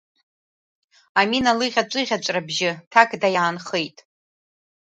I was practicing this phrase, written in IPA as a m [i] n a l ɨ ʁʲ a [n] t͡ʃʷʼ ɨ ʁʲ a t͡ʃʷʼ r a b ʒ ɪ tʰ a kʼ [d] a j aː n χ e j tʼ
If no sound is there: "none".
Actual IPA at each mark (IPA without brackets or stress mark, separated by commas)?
i, none, d